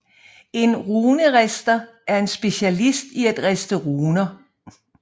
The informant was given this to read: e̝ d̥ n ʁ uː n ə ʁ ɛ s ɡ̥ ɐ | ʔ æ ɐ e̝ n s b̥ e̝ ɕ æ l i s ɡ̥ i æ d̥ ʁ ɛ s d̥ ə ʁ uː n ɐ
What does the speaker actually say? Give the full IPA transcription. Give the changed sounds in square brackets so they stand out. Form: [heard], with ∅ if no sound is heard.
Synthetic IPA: e̝ [∅] n ʁ uː n ə ʁ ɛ s [d̥] ɐ | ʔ æ ɐ e̝ n s b̥ e̝ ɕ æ l i s [d̥] i æ d̥ ʁ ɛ s d̥ ə ʁ uː n ɐ